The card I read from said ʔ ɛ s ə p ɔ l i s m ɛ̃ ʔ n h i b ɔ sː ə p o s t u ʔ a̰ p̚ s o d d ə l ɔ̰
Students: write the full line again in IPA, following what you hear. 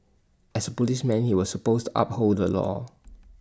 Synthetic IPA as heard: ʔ ɛ s ə p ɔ l i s m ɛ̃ n h i w ɔ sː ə p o s t u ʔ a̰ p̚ h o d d ə l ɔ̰